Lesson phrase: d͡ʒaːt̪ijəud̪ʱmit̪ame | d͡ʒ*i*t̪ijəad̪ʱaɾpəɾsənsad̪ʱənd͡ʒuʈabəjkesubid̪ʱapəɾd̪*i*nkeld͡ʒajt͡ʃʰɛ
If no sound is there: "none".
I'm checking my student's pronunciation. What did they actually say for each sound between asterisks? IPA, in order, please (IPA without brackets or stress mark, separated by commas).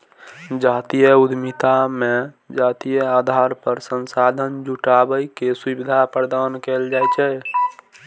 a, a